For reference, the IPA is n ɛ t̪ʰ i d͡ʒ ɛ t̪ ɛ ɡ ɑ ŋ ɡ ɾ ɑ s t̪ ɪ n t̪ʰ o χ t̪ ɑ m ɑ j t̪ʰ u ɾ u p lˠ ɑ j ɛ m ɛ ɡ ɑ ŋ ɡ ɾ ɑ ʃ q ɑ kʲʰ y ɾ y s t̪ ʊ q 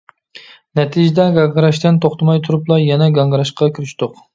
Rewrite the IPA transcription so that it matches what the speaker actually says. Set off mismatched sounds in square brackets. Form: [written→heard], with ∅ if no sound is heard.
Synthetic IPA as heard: n ɛ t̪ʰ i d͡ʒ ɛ [t̪→d̪] ɛ ɡ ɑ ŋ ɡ ɾ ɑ [s→ʃ] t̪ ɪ n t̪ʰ o χ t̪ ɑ m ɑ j t̪ʰ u ɾ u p lˠ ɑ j ɛ [m→n] ɛ ɡ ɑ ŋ ɡ ɾ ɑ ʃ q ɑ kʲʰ y ɾ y [s→ʃ] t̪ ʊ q